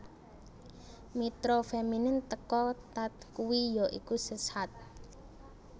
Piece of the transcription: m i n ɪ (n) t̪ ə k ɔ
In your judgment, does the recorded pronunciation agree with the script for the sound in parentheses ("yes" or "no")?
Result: yes